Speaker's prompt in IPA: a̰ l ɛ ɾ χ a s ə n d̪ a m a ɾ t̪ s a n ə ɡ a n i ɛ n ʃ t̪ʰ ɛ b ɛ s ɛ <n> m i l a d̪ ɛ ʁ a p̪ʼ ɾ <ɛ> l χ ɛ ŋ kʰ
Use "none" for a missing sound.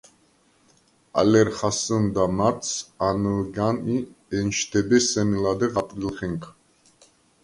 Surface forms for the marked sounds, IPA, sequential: none, i

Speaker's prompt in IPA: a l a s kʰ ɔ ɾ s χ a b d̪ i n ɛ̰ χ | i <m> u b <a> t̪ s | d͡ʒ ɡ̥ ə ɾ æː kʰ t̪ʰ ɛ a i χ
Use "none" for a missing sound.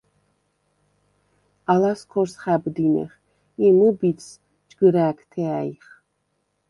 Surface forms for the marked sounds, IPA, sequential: m, i

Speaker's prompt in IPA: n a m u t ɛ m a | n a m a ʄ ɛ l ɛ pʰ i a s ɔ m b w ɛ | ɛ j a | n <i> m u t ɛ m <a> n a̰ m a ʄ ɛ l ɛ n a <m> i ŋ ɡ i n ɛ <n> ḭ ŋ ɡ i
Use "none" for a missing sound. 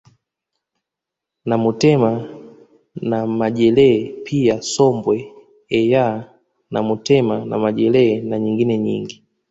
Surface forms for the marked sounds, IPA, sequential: a, a, ɲ, ɲ

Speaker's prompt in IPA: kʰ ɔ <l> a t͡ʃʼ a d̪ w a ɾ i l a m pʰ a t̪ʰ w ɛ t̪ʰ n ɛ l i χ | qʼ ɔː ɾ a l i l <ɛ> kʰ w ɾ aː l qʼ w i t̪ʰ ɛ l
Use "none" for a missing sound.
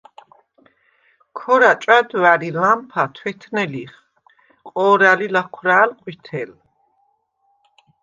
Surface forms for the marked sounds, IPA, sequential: ɾ, a

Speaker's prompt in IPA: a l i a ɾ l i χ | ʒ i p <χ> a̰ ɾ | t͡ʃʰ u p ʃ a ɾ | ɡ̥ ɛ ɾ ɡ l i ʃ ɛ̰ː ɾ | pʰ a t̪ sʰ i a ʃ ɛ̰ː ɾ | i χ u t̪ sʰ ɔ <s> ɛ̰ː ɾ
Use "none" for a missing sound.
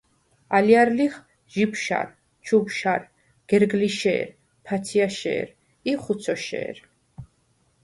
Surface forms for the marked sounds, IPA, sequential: ʃ, ʃ

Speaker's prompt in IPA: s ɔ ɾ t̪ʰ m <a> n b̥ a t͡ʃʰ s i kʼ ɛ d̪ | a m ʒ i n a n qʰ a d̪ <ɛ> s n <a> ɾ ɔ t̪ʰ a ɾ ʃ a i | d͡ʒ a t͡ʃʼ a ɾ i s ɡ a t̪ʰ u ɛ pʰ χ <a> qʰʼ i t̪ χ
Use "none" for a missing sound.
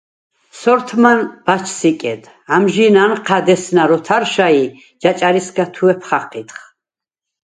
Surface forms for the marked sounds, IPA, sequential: a, ɛ, a, a

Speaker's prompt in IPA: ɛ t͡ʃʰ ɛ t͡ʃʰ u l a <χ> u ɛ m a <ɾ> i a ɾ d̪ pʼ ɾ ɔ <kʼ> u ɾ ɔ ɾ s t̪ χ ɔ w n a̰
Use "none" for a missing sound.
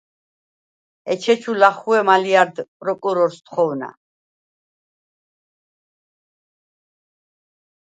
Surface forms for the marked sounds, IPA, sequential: χ, l, kʼ

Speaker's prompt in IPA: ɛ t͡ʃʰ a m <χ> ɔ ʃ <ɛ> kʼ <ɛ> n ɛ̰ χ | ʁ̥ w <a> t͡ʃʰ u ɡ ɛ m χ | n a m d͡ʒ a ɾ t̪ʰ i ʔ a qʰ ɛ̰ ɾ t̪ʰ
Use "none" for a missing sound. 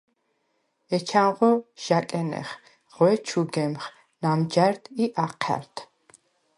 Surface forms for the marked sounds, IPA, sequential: ʁ, a, ɛ, ɛ

